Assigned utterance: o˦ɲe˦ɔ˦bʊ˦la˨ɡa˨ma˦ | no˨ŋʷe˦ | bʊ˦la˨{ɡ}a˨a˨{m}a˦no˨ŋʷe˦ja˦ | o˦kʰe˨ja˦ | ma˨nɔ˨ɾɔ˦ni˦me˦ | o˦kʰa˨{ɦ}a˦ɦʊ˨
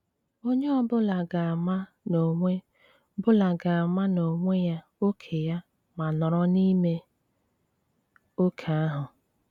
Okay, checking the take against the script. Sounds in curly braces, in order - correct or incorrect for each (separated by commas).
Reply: correct, correct, incorrect